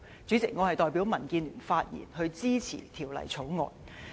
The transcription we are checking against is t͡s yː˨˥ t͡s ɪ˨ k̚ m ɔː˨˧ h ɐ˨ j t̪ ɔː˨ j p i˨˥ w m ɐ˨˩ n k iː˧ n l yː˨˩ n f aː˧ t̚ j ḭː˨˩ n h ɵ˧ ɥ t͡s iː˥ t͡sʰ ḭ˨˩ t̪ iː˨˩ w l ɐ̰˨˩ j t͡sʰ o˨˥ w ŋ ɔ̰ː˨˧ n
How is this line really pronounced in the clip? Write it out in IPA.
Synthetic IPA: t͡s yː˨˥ t͡s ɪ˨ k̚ ŋ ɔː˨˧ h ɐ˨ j t̪ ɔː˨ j p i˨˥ w m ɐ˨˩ n k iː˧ n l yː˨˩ n f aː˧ t̚ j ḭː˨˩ n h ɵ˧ ɥ t͡s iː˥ t͡sʰ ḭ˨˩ t̪ʰ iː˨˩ w l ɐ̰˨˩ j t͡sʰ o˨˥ w ŋ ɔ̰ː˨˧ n